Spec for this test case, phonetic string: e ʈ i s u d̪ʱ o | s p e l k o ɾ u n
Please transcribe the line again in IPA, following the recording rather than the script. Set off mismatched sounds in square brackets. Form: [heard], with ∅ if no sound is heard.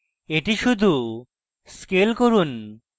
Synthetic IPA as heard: e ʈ i [ʃ] u d̪ʱ [u] | s [k] e l k o ɾ u n